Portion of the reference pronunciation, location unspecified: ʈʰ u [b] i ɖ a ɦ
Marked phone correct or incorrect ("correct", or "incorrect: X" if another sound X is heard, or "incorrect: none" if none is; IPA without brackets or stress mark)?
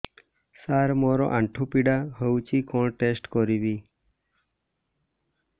incorrect: p